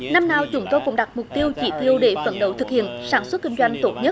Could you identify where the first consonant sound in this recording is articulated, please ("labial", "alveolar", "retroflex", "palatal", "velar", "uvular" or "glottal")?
alveolar